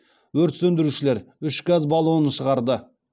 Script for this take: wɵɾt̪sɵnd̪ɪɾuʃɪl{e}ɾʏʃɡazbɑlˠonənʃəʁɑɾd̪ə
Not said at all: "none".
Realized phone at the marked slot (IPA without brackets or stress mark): e